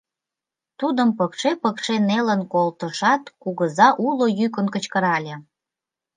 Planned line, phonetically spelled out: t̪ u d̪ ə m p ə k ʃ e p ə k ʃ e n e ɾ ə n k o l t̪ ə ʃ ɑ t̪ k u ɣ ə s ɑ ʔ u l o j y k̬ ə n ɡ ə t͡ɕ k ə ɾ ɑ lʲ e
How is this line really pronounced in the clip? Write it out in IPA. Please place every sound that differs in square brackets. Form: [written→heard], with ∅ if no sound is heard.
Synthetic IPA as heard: t̪ u d̪ ə m p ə k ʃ e p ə k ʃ e n e [ɾ→l] ə n k o l t̪ ə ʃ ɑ t̪ k u ɣ ə [s→z] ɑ ʔ u l o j y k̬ ə n [ɡ→k] ə t͡ɕ k ə ɾ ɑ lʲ e